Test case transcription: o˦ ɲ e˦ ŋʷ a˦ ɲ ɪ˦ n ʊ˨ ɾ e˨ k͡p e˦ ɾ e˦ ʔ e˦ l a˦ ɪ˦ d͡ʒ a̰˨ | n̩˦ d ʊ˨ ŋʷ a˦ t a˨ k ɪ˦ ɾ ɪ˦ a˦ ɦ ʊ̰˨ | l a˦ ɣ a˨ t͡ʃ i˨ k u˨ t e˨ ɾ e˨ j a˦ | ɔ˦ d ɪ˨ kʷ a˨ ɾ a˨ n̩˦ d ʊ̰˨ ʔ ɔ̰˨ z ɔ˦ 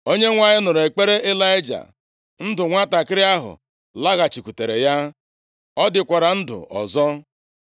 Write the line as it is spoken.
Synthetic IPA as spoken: o˦ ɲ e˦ ŋʷ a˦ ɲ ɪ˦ n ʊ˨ ɾ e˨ k͡p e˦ ɾ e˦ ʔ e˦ l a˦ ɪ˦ d͡ʒ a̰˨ | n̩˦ d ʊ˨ ŋʷ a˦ t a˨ k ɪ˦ ɾ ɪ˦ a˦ ɦ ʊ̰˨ | l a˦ ɣ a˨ t͡ʃ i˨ k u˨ t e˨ ɾ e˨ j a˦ | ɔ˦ d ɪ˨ kʷ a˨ ɾ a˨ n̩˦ d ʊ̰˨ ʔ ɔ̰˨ z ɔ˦